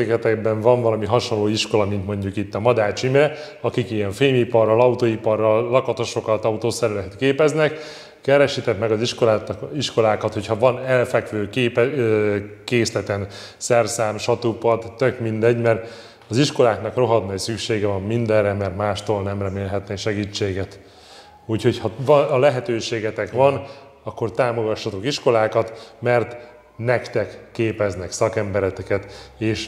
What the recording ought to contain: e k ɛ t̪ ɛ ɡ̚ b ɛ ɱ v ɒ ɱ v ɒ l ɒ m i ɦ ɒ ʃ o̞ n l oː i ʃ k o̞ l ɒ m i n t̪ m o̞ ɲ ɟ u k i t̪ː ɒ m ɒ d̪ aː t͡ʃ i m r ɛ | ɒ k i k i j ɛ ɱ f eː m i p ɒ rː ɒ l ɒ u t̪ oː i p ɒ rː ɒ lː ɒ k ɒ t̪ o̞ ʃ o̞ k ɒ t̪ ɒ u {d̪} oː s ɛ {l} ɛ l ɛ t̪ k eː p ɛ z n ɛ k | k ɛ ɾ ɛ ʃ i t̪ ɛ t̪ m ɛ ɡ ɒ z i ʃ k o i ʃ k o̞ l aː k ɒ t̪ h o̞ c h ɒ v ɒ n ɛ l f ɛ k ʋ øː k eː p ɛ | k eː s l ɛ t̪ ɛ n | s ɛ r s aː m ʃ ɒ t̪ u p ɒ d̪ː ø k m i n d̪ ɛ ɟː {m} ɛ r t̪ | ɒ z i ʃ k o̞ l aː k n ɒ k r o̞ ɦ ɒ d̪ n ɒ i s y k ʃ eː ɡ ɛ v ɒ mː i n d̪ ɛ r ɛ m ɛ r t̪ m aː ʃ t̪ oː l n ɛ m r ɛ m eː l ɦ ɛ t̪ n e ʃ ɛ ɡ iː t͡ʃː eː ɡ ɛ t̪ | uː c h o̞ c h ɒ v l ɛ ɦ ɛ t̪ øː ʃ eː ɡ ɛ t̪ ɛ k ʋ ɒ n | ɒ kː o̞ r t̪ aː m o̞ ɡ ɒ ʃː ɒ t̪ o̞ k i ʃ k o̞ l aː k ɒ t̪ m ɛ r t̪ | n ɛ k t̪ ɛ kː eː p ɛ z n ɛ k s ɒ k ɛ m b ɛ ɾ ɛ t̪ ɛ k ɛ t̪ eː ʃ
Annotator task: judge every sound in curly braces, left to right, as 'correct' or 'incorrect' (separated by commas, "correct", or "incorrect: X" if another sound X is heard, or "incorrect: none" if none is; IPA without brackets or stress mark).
incorrect: t̪, incorrect: ɾ, correct